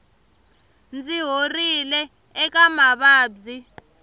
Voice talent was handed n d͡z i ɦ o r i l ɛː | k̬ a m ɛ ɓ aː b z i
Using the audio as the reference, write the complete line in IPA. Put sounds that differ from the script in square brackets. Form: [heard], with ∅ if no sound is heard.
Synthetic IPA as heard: n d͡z i ɦ o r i l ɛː | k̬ a m [a] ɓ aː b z i